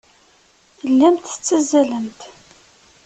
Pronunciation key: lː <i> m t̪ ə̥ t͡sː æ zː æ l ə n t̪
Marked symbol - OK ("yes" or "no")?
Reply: no